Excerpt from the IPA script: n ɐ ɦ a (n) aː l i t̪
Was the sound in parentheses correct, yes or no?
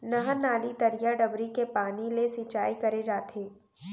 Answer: yes